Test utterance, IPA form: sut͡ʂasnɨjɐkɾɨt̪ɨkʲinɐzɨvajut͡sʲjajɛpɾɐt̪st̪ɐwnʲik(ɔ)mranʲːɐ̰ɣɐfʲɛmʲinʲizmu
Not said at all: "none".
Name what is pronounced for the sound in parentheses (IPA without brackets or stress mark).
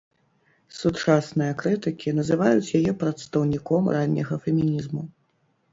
ɔ